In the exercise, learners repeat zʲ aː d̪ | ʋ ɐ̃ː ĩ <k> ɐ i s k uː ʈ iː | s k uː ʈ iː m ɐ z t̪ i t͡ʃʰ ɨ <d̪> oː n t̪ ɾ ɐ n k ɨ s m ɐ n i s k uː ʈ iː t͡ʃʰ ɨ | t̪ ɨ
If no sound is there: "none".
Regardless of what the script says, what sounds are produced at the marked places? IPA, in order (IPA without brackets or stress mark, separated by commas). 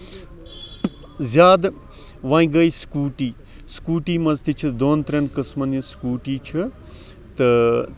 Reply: ɡ, d̪